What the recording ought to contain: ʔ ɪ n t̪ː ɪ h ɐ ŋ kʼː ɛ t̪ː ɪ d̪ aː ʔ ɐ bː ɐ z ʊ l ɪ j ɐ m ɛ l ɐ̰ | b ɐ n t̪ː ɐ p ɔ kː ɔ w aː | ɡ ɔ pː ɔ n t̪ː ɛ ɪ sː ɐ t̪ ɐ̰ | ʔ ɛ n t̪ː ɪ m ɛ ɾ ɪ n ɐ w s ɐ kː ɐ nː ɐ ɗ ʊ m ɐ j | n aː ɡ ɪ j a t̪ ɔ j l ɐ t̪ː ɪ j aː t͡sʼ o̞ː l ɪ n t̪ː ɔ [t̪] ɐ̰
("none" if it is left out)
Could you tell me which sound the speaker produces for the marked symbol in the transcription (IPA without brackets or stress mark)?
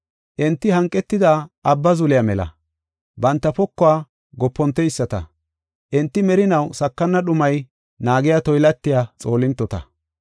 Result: t̪